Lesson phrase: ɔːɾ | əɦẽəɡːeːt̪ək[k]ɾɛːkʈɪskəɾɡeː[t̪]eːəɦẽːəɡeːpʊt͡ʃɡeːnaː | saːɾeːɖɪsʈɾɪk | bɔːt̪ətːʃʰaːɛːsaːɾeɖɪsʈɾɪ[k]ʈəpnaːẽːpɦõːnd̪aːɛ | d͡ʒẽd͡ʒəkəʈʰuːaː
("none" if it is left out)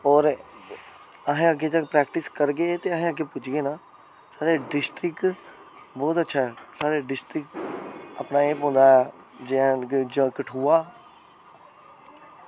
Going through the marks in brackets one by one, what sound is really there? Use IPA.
p, t̪, k

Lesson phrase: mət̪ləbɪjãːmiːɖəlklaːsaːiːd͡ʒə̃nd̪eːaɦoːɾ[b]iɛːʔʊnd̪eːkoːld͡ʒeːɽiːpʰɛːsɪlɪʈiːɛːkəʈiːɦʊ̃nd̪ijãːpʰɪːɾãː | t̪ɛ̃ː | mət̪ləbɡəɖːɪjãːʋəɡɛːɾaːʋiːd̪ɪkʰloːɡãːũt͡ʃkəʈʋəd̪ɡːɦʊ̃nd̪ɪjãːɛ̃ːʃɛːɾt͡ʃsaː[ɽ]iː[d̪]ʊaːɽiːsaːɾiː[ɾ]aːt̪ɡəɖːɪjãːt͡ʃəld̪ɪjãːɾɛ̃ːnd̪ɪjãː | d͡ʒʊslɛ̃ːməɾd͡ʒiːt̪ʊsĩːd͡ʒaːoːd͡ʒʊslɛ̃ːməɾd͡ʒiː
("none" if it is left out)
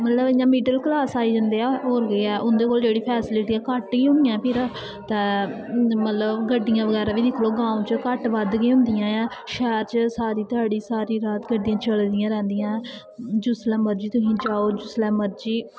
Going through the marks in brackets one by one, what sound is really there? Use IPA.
ɡ, ɾ, t̪, ɾ

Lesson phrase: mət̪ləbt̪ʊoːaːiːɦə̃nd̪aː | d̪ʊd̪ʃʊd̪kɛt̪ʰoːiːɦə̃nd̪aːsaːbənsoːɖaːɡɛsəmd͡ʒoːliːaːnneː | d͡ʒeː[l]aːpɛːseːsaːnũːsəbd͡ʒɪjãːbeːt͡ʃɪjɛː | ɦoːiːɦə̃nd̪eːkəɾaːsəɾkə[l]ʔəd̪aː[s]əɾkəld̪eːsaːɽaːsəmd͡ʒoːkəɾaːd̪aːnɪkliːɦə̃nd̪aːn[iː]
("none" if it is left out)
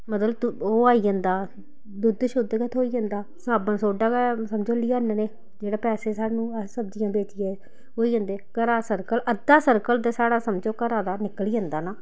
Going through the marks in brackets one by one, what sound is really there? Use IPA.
ɽ, l, s, aː

